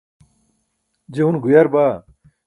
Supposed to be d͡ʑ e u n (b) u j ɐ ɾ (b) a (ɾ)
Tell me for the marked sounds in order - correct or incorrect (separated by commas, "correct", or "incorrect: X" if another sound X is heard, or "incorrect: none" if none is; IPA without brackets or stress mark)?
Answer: incorrect: ɡ, correct, incorrect: none